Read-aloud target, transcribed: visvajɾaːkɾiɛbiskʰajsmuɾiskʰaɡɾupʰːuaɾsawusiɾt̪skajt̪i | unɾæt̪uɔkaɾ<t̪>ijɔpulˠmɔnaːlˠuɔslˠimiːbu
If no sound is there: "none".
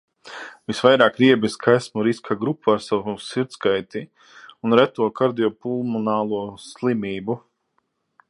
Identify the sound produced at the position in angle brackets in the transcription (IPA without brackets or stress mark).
d̪